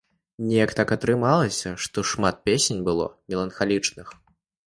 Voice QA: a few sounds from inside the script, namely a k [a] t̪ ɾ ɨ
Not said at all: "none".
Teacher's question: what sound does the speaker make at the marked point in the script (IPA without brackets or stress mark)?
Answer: ɐ